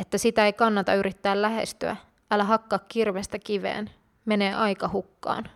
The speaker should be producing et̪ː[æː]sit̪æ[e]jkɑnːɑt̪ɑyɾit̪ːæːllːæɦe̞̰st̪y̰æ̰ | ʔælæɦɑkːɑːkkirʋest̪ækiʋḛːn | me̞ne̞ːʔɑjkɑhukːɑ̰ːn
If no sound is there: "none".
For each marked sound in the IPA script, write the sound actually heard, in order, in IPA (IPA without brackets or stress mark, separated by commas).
æ, e